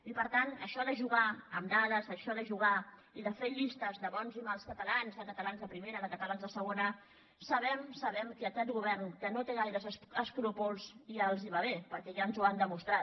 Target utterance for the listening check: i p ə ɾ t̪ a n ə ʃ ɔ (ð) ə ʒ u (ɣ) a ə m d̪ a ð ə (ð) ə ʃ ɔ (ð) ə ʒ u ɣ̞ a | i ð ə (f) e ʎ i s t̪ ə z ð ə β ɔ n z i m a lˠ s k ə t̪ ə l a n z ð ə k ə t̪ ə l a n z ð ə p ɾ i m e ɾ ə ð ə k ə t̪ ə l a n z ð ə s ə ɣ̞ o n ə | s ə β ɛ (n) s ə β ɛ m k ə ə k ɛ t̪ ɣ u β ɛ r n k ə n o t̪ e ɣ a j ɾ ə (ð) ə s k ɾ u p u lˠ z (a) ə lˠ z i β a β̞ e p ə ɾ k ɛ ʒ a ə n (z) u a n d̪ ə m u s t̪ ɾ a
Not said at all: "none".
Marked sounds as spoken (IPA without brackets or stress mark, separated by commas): ð, ɣ, z, ð, f, m, z, i, z